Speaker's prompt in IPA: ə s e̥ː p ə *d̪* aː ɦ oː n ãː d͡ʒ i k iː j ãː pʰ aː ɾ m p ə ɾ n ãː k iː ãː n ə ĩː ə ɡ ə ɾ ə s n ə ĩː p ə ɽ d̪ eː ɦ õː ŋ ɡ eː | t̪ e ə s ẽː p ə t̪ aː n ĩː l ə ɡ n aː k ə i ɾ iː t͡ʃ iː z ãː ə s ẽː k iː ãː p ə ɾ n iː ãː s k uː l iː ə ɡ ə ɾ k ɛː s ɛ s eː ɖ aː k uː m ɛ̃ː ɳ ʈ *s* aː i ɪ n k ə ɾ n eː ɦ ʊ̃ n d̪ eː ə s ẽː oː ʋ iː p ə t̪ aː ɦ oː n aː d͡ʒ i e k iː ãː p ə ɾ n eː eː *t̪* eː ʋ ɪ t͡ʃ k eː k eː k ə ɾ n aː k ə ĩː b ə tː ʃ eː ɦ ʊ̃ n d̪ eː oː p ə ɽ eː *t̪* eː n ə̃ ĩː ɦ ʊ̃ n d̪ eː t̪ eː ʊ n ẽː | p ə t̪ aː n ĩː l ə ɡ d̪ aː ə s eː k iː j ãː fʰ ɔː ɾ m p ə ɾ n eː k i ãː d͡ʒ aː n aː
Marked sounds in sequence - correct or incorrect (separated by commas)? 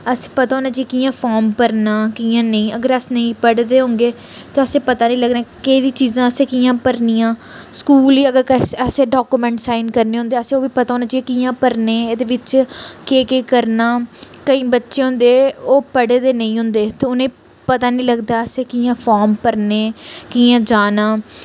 incorrect, correct, incorrect, incorrect